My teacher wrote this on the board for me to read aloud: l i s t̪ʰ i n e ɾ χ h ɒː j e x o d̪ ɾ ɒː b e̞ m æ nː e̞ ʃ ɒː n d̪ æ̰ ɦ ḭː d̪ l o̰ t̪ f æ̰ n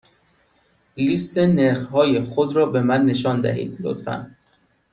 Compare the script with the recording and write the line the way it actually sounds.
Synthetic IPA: l i s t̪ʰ e n e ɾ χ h ɒː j e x o d̪ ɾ ɒː b e̞ m æ nː e̞ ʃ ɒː n d̪ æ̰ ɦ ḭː d̪ l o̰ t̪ f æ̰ n